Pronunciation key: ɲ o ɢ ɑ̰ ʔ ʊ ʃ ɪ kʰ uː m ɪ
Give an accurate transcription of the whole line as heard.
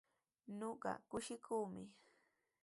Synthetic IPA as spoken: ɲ o ɢ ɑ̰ k ʊ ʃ ɪ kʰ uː m ɪ